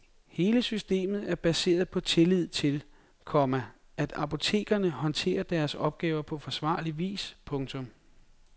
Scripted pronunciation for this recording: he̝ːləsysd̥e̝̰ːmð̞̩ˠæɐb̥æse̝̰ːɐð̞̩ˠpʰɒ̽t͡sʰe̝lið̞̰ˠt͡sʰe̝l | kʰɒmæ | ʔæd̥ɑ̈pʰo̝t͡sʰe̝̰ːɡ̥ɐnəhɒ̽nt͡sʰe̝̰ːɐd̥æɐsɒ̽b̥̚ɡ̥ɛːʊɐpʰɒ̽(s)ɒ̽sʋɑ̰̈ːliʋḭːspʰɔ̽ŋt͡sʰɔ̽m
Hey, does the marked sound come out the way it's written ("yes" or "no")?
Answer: no